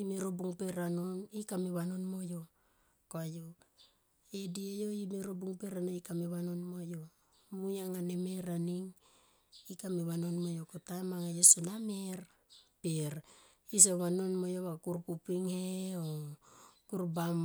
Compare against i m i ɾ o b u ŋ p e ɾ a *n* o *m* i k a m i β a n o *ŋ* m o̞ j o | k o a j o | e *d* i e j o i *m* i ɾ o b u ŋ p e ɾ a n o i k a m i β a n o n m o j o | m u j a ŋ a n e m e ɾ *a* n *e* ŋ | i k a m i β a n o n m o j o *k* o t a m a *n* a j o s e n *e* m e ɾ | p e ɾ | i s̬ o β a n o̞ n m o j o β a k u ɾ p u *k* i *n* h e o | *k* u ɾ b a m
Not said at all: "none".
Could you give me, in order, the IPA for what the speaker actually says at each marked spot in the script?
n, n, n, d, m, a, i, k, ŋ, a, p, ŋ, k

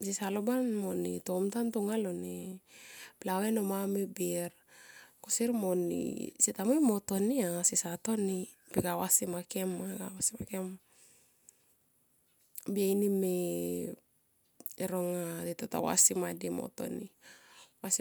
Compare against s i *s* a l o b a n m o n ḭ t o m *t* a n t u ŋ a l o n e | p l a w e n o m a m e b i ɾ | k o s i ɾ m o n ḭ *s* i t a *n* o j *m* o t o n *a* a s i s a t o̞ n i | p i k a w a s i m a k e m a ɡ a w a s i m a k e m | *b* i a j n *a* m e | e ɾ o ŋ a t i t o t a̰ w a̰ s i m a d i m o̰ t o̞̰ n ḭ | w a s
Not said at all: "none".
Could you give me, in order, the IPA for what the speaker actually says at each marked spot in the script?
s, t, s, m, m, i, b, i

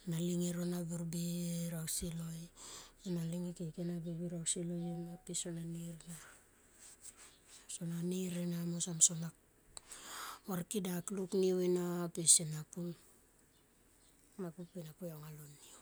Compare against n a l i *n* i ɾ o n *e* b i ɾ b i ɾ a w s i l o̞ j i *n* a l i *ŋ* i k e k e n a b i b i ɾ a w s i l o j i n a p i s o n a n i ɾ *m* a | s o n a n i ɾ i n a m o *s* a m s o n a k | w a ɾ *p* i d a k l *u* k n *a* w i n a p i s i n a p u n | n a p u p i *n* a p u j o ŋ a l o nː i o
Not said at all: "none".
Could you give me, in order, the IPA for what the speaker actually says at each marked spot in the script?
ŋ, a, n, ŋ, n, s, k, u, i, n

